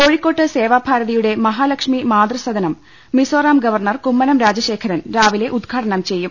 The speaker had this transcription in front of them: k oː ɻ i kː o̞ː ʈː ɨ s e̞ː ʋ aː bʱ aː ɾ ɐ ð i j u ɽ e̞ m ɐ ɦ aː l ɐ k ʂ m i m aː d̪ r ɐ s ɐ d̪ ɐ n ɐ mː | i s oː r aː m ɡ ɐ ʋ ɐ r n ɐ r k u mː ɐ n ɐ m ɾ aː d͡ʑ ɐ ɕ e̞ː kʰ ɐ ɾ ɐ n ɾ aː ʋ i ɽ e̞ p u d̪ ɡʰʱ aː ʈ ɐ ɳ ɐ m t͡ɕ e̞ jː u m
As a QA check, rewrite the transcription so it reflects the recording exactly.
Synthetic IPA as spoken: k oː ɻ i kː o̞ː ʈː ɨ s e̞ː ʋ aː bʱ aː ɾ ɐ ð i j u ɽ e̞ m ɐ ɦ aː l ɐ k ʂ m i m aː d̪ r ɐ s ɐ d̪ ɐ n ɐ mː | i s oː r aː m ɡ ɐ ʋ ɐ r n ɐ r k u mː ɐ n ɐ m ɾ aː d͡ʑ ɐ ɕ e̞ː kʰ ɐ ɾ ɐ n ɾ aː ʋ i l e̞ ʔ u d̪ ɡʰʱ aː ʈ ɐ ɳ ɐ m t͡ɕ e̞ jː u m